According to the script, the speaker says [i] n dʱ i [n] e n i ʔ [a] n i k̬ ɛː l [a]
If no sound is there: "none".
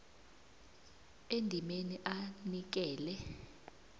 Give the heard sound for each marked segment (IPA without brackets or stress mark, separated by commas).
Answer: e, m, a, ɛ